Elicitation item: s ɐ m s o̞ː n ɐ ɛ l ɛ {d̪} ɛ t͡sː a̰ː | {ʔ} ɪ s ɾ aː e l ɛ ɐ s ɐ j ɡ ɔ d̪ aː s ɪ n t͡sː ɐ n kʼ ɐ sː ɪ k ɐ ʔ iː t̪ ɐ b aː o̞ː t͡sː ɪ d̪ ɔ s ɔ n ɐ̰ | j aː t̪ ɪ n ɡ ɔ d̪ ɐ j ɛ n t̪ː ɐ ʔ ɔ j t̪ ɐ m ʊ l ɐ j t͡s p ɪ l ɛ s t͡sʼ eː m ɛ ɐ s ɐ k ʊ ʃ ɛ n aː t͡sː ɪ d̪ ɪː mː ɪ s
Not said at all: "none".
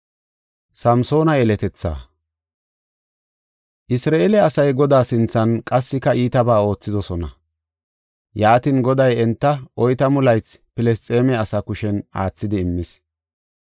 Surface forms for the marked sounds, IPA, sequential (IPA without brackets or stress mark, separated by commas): t̪, ʔ